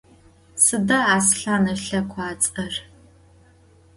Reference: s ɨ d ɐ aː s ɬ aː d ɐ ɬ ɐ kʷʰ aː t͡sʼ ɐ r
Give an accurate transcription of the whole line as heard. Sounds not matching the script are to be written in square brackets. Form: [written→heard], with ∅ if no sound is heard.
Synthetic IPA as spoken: s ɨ d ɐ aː s ɬ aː [d→n] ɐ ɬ ɐ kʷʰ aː t͡sʼ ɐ r